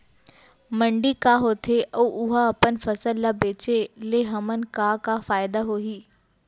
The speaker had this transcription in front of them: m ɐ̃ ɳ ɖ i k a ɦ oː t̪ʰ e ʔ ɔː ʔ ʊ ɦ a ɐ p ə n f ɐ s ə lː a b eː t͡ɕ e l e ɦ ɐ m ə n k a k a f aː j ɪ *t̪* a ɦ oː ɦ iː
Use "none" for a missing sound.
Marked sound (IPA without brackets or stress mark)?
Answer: d̪